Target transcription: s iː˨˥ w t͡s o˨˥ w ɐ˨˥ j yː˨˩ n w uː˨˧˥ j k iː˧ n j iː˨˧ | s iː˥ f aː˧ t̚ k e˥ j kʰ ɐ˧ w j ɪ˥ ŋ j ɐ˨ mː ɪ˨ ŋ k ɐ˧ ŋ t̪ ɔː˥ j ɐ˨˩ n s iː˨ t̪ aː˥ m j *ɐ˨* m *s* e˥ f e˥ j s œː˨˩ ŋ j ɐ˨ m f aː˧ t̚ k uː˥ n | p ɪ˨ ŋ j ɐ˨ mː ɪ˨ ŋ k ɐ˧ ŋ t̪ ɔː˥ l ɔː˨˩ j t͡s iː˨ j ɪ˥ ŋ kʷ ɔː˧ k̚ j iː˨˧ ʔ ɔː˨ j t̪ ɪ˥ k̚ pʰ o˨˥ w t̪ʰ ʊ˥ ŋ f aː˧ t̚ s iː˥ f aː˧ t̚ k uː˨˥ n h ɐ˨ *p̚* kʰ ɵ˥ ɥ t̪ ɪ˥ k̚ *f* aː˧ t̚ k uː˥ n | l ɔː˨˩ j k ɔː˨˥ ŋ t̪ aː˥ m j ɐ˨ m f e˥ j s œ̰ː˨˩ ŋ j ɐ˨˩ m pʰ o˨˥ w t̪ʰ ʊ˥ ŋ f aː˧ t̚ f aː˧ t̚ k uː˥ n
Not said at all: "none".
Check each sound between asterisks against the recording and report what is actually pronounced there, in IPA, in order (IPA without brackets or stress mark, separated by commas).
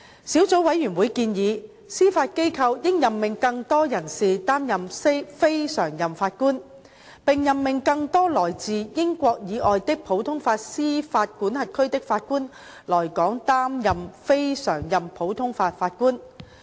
ɐ˨, s, t̚, f